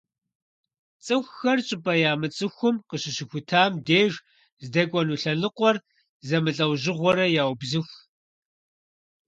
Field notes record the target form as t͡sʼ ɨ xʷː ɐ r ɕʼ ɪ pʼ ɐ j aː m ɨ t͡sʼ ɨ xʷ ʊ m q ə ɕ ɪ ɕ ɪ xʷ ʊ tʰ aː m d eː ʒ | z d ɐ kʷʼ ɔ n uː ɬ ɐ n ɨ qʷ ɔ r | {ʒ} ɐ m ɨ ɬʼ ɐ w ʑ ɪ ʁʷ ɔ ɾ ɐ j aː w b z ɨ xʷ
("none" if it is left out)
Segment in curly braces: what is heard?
z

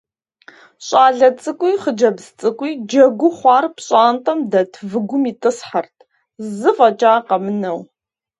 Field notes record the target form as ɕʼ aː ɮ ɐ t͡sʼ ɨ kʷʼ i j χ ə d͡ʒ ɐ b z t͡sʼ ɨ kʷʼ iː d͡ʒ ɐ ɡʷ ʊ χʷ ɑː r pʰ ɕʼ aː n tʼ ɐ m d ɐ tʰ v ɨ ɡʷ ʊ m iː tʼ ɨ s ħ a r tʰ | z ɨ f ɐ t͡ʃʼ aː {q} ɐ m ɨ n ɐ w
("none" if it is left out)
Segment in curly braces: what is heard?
q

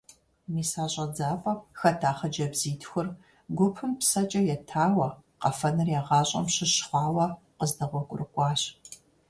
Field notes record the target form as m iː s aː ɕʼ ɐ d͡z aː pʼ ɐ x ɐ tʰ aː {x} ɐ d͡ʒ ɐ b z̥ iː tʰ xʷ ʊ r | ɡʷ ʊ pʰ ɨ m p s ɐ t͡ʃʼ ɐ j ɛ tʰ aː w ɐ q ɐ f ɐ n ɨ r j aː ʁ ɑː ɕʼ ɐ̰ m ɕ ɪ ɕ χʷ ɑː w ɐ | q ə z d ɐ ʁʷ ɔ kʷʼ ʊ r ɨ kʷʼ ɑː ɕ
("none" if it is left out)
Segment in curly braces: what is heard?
χ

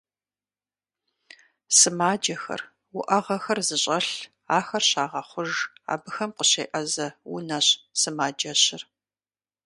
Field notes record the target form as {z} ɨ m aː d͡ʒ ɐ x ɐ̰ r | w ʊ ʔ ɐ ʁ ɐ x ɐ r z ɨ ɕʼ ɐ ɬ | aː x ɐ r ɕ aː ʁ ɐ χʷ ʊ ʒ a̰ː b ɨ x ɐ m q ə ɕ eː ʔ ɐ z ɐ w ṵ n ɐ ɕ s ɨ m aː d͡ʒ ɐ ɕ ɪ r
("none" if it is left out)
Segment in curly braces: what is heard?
s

